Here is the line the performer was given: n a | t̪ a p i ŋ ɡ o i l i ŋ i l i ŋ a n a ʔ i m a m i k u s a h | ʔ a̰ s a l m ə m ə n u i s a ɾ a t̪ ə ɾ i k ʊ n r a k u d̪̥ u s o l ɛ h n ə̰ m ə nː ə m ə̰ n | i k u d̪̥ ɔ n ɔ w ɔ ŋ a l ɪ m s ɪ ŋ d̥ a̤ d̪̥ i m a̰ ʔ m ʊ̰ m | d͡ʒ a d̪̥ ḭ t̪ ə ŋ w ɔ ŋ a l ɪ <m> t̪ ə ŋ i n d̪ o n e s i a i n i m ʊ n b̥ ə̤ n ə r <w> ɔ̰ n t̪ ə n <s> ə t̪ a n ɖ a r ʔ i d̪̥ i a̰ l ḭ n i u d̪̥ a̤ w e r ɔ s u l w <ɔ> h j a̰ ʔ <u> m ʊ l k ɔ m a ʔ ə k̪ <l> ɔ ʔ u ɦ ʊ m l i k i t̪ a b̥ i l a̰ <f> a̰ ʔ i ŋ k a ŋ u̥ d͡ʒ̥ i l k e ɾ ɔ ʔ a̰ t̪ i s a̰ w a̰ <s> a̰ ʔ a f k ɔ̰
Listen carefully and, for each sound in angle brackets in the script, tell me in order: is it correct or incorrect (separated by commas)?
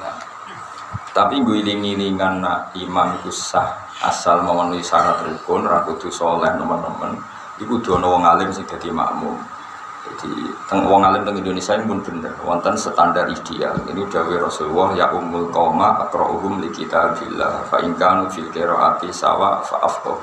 correct, correct, correct, correct, correct, incorrect, correct, incorrect